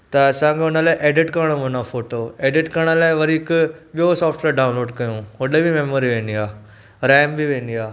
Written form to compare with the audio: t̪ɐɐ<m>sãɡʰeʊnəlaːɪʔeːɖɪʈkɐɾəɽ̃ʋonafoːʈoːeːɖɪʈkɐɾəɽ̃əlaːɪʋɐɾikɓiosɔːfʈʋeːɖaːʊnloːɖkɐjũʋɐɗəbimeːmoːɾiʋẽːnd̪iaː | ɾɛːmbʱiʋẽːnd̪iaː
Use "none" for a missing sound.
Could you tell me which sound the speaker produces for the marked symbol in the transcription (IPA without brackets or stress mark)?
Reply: none